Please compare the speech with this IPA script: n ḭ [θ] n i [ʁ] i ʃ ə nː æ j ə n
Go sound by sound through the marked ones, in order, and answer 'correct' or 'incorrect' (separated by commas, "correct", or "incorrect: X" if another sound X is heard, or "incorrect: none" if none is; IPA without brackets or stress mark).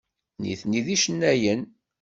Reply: correct, incorrect: ð